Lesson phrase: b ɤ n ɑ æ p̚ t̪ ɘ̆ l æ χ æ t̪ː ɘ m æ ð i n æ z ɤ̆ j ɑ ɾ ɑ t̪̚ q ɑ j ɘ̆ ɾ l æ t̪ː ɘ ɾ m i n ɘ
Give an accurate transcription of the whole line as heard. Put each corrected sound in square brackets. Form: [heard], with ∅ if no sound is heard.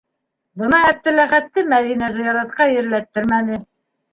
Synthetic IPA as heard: b ɤ n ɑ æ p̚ t̪ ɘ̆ l æ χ æ t̪ː ɘ m æ ð i n æ z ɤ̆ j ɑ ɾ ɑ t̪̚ q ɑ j ɘ̆ ɾ l æ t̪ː ɘ ɾ m [æ] n ɘ

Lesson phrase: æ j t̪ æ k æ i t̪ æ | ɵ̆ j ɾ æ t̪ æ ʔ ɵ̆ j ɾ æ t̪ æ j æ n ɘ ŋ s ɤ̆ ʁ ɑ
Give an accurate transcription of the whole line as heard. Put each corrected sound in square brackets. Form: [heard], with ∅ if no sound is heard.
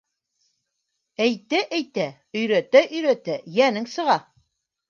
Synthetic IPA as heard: æ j t̪ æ [ʔ] æ [j] t̪ æ | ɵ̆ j ɾ æ t̪ æ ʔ ɵ̆ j ɾ æ t̪ æ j æ n ɘ ŋ s ɤ̆ ʁ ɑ

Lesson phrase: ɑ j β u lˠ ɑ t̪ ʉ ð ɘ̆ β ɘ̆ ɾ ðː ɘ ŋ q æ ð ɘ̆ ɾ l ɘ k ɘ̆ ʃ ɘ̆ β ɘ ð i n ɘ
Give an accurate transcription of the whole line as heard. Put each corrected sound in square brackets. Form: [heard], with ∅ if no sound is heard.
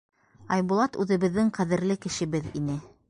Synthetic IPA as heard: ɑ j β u lˠ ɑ t̪ ʉ ð ɘ̆ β ɘ̆ [∅] ðː ɘ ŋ q æ ð ɘ̆ ɾ l ɘ k ɘ̆ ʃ ɘ̆ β ɘ ð i n ɘ

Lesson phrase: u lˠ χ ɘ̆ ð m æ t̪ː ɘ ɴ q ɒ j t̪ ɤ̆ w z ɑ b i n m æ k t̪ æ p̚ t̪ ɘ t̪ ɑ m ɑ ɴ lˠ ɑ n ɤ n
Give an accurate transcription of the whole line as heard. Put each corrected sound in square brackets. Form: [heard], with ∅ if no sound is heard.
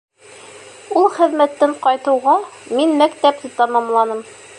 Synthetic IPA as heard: u lˠ χ ɘ̆ ð m æ t̪ː ɘ ɴ q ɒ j t̪ ɤ̆ w [ʁ] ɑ [m] i n m æ k t̪ æ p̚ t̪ ɘ t̪ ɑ m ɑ [m] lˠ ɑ n ɤ [m]

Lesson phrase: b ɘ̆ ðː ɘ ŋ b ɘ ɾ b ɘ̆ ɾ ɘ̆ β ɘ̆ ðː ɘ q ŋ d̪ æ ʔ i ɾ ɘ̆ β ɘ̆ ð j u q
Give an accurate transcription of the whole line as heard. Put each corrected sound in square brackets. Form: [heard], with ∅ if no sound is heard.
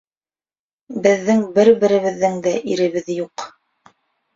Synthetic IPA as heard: b ɘ̆ ðː ɘ ŋ b ɘ ɾ b ɘ̆ ɾ ɘ̆ β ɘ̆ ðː ɘ [∅] ŋ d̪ æ ʔ i ɾ ɘ̆ β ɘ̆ ð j u q

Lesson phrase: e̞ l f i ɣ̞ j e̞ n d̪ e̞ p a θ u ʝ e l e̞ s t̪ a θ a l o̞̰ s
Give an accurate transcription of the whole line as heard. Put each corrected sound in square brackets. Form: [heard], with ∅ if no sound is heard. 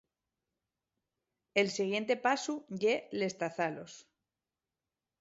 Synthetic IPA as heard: e̞ l [s] i ɣ̞ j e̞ n [t̪] e̞ p a [s] u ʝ e l e̞ s t̪ a θ a l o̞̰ s

